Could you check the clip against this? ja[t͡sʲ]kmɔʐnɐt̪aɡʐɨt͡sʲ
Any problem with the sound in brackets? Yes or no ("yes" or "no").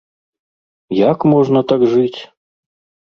yes